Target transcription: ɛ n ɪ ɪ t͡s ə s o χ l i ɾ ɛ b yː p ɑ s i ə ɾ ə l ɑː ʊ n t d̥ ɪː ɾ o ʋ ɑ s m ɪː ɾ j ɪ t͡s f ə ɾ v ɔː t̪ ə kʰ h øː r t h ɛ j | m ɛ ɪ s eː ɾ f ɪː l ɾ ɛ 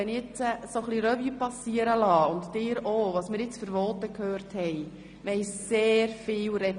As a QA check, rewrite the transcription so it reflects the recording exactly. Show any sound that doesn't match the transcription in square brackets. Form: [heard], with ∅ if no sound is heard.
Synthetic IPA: ɛ n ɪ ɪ t͡s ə s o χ l i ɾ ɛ [v] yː p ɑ s i ə ɾ ə l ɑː ʊ n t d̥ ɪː ɾ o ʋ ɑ s m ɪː ɾ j ɪ t͡s f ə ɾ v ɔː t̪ ə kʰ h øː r t h ɛ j | m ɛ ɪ s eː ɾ f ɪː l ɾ ɛ